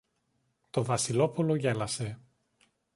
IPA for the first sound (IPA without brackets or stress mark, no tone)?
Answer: t̪